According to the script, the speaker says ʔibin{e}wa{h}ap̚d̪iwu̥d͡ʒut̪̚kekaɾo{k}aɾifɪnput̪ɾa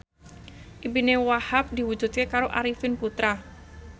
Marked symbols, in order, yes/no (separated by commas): yes, yes, no